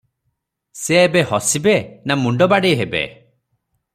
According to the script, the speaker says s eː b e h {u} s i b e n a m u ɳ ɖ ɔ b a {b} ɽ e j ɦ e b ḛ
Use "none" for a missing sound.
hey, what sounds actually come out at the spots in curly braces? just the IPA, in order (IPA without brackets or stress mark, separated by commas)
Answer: ɔ, none